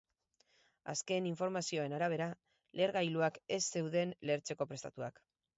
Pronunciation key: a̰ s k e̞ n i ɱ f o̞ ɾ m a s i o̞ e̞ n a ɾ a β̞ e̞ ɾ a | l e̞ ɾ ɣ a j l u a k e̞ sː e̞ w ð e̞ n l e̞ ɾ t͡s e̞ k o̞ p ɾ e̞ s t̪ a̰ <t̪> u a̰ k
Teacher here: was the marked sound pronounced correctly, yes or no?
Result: yes